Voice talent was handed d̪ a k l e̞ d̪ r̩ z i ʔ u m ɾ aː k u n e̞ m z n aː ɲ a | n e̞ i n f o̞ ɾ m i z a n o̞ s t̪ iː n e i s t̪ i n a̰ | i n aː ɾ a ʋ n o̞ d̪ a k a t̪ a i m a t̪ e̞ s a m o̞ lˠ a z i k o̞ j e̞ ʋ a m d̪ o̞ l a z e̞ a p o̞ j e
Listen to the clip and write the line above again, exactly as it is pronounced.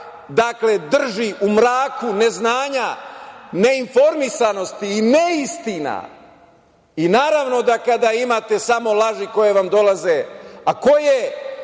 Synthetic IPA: d̪ a k l e̞ d̪ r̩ ʒ i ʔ u m ɾ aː k u n e̞ z n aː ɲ a | n e̞ i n f o̞ ɾ m i s a n o̞ s t̪ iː n e i s t̪ i n a̰ | i n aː ɾ a ʋ n o̞ d̪ a k a d̪ a i m a t̪ e̞ s a m o̞ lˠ a ʒ i k o̞ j e̞ ʋ a m d̪ o̞ l a z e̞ a k o̞ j e